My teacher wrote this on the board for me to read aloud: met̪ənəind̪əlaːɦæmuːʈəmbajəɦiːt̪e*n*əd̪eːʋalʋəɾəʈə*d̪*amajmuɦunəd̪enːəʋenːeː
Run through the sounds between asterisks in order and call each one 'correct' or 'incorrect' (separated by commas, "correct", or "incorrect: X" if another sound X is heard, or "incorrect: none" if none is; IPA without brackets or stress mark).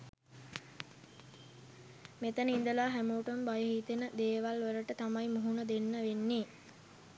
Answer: correct, incorrect: t̪